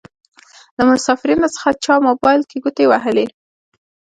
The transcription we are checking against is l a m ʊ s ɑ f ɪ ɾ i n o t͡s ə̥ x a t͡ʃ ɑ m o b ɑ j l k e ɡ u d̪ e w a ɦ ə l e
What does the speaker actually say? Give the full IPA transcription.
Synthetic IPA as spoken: l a m ʊ s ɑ f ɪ ɾ i n o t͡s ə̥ x a t͡ʃ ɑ m o b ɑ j l k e ɡ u t̪ e w a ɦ ə l e